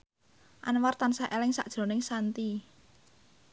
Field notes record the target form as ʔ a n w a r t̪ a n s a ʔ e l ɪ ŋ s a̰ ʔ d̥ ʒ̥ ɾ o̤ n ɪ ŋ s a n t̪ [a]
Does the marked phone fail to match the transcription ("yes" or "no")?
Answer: yes